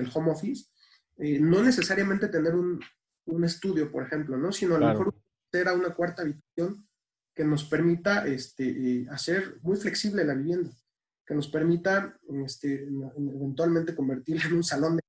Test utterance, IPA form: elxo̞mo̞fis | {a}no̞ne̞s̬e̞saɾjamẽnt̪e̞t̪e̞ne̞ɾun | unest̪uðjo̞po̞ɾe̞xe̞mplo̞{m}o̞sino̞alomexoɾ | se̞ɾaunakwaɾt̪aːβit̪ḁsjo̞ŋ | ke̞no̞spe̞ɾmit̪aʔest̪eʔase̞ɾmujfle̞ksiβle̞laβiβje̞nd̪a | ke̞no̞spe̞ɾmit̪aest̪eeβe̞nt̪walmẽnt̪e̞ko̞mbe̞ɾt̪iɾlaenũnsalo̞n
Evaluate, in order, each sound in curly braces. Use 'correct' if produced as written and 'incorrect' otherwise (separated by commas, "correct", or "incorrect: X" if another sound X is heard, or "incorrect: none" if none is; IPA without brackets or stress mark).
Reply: incorrect: e, incorrect: n